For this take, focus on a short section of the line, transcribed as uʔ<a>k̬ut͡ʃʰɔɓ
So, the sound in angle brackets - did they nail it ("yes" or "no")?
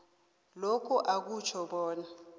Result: yes